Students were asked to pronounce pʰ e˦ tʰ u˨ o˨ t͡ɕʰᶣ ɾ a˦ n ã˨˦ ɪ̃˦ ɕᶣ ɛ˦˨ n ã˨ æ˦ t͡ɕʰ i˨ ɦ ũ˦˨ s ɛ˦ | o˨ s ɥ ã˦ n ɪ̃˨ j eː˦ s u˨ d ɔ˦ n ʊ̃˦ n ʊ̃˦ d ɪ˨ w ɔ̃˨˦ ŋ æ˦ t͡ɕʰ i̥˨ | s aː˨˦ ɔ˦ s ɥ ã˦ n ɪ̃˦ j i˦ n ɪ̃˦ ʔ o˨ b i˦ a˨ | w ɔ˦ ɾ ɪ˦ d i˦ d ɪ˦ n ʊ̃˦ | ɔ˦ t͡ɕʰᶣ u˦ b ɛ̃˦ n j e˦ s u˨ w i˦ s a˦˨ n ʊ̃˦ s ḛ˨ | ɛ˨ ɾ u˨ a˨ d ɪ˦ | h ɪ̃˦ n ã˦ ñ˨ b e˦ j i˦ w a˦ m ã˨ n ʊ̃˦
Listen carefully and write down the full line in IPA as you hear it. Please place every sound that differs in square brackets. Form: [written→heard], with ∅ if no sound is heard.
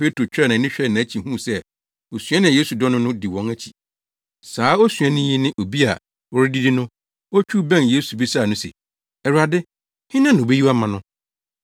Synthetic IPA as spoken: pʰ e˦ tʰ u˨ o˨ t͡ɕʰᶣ ɾ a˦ n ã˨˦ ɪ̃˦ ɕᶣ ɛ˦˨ n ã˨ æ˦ t͡ɕʰ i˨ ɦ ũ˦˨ s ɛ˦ | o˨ s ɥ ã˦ n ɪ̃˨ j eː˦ s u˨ d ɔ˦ n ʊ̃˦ n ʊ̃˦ d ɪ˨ w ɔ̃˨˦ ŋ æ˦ t͡ɕʰ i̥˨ | s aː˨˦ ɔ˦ s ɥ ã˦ n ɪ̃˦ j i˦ n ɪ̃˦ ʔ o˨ b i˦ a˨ | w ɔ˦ ɾ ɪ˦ d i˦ d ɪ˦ n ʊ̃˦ | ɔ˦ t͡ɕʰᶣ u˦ b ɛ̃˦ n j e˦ s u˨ [w→b] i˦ s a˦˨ n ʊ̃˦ s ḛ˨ | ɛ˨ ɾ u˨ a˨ d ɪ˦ | h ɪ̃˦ n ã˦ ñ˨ b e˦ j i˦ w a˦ m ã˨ n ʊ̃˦